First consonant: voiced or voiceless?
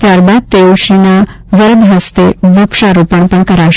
voiceless